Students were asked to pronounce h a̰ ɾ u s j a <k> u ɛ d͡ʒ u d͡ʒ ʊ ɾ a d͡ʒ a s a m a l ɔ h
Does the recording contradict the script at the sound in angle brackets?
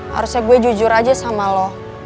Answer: yes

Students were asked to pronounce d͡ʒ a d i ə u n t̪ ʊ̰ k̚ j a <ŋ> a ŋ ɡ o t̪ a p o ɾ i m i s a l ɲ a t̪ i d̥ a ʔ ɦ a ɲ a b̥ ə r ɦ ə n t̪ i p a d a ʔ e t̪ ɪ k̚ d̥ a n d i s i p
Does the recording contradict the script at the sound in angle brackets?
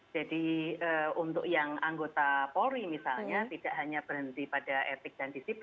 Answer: no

